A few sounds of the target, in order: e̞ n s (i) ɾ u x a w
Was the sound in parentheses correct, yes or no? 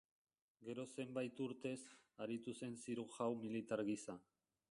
yes